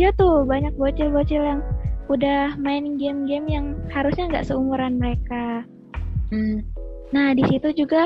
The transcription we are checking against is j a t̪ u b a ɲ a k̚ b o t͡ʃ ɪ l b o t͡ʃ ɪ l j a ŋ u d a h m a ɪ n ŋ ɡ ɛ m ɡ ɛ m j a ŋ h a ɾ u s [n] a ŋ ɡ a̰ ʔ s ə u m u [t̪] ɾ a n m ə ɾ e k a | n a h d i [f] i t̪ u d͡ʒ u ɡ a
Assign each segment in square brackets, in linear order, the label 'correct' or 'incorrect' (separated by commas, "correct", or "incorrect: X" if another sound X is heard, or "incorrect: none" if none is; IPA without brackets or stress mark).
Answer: incorrect: ɲ, incorrect: none, incorrect: s